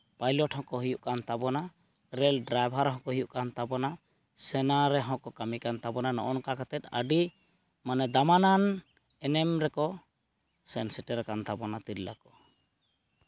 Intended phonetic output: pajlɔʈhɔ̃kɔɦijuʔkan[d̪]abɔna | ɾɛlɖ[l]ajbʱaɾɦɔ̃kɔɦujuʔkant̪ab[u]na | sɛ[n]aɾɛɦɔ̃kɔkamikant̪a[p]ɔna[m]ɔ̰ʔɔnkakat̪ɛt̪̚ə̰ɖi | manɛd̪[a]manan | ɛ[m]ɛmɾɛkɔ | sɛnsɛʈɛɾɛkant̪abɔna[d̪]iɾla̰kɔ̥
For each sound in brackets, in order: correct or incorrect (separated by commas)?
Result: incorrect, incorrect, incorrect, correct, incorrect, incorrect, correct, incorrect, incorrect